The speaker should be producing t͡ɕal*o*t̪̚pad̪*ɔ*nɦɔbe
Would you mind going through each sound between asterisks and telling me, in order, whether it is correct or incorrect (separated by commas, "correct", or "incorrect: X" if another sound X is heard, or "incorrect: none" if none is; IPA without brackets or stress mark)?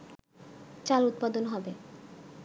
incorrect: u, incorrect: o